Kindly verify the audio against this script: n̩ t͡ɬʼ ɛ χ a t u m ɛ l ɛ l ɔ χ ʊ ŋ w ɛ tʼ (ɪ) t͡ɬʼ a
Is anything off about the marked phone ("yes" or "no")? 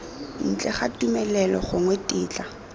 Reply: yes